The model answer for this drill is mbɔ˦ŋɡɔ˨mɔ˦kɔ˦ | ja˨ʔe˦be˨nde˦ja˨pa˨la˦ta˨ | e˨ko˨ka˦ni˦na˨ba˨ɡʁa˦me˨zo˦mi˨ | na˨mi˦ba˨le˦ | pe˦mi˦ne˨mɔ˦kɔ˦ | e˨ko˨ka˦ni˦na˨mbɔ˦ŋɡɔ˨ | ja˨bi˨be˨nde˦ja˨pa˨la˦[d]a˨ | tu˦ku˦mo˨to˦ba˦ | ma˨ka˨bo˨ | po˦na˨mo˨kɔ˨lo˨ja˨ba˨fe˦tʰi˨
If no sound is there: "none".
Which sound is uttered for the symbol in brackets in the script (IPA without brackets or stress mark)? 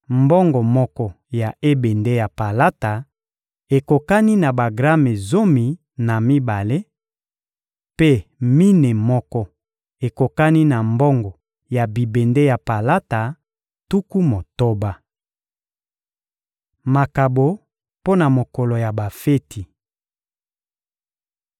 t